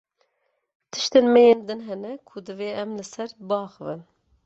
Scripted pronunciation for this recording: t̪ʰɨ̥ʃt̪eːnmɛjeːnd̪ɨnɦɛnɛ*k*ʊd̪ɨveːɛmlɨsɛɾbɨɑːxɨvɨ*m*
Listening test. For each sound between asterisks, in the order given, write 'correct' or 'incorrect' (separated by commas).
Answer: incorrect, incorrect